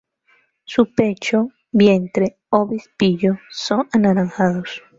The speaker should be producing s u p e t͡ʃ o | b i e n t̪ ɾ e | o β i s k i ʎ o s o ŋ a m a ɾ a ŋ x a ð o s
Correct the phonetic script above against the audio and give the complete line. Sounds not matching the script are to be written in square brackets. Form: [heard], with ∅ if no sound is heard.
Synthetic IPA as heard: s u p e t͡ʃ o | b [j] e n t̪ ɾ e | o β i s [p] i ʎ o s o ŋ a [n] a ɾ a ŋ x a ð o s